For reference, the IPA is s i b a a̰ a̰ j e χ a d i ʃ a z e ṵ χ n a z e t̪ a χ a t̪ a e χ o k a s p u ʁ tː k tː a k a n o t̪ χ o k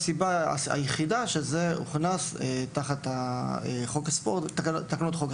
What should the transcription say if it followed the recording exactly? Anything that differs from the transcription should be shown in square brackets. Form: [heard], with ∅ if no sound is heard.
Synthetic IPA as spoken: s i b a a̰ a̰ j e χ [i] d [a] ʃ [e] z e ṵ χ n a [s] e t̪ a χ a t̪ a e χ o k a s p [o] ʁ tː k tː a k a n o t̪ χ o k